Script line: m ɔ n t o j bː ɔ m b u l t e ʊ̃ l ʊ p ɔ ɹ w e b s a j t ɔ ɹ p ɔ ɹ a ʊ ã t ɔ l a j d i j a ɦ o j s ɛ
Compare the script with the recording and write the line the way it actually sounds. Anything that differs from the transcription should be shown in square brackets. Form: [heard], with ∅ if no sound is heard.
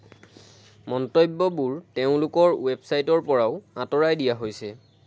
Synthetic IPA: m ɔ n t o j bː ɔ [∅] b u [ɹ] t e ʊ̃ l ʊ [k] ɔ ɹ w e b s a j t ɔ ɹ p ɔ ɹ a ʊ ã t ɔ [ɹ] a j d i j a ɦ o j s ɛ